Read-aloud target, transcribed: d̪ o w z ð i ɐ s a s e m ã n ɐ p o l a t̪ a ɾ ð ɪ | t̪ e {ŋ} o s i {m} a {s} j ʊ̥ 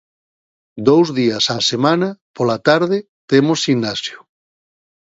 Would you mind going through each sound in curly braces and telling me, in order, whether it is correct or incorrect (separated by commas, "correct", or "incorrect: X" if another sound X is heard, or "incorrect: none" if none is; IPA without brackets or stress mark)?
incorrect: m, incorrect: n, correct